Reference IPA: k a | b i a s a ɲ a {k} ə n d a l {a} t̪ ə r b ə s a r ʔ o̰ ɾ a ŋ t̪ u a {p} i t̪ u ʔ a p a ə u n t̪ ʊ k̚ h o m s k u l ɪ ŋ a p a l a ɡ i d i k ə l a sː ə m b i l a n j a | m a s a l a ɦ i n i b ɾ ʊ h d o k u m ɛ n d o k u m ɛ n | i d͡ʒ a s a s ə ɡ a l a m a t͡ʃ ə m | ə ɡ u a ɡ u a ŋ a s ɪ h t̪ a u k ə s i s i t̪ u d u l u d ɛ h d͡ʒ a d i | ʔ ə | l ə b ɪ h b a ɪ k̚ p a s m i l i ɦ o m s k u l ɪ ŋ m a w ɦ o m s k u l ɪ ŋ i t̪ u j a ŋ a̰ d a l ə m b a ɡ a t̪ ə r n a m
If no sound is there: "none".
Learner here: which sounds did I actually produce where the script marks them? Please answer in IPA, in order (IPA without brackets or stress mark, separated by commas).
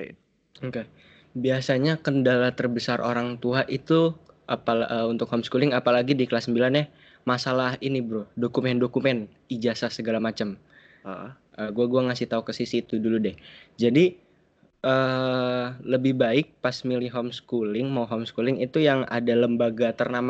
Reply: k, a, ʔ